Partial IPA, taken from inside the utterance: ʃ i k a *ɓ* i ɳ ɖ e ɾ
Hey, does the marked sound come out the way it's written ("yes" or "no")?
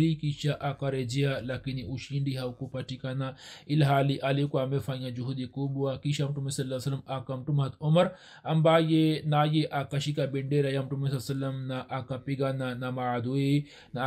no